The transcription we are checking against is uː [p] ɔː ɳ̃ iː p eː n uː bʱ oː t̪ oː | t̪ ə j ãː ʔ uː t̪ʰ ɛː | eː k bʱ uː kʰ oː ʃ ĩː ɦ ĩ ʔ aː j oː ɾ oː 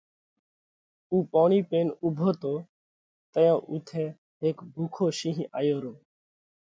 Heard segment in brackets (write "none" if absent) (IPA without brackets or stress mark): p